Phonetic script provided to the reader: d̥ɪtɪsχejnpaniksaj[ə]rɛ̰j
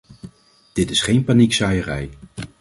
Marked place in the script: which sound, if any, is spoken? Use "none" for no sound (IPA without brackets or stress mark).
ə